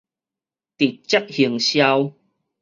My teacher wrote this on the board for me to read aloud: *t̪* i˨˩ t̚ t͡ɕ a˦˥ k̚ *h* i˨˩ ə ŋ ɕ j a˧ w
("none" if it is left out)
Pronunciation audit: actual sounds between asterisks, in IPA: t̪, h

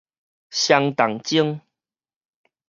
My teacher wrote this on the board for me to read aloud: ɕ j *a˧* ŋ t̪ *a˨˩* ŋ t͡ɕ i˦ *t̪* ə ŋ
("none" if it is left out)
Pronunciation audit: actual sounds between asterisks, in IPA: a˧, a˨˩, none

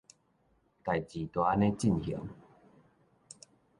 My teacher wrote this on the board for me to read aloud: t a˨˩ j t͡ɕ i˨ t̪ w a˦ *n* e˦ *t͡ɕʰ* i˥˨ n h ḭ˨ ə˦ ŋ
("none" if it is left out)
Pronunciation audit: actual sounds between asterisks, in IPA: n, t͡ɕ

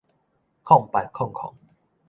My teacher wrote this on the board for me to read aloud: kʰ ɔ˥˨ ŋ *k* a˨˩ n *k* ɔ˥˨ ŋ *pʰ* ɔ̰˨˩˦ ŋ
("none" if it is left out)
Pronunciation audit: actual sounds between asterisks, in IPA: p, kʰ, kʰ

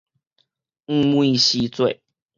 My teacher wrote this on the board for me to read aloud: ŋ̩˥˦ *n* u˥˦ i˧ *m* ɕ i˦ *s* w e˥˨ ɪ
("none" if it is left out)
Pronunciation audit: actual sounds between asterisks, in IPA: m, none, t͡s

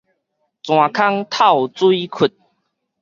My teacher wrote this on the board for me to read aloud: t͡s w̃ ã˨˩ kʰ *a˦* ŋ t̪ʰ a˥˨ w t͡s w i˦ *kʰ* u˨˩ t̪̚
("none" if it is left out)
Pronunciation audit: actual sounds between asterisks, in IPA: a˦, kʰ

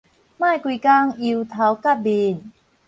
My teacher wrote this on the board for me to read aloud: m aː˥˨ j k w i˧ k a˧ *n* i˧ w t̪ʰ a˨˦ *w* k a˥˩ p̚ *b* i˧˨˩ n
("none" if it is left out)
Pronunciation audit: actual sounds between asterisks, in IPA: ŋ, w, b

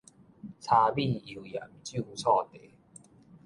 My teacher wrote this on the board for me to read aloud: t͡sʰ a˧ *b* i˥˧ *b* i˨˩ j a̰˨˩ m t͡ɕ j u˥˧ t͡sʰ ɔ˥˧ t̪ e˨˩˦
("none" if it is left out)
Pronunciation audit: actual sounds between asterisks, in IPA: b, none

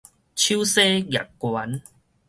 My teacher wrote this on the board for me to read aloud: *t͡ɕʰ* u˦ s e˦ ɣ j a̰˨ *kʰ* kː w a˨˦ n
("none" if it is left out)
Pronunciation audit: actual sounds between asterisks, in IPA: t͡ɕʰ, k

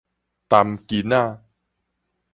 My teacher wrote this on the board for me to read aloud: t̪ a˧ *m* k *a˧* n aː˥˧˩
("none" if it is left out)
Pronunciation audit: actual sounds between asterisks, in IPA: m, i˧

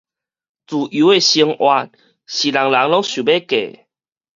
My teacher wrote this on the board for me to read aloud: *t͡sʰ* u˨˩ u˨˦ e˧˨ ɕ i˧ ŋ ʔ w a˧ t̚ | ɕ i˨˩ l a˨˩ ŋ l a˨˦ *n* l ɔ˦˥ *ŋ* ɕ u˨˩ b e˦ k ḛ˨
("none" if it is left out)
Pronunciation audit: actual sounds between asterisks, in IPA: t͡s, ŋ, ŋ

